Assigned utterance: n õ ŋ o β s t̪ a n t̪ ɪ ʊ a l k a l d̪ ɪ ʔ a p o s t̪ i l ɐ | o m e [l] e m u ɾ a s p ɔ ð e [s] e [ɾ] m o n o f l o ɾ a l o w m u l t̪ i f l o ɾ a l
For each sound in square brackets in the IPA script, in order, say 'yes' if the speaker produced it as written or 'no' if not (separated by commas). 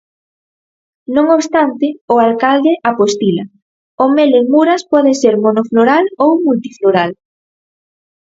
yes, yes, yes